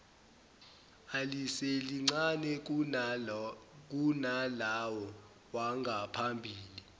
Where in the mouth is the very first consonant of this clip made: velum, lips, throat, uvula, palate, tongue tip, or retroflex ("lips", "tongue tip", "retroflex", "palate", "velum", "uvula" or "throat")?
tongue tip